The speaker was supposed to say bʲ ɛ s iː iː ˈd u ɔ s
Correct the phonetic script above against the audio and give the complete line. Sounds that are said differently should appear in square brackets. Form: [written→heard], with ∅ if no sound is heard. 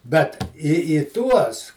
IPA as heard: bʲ ɛ [s→t] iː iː [ˈd→ˈt] u ɔ s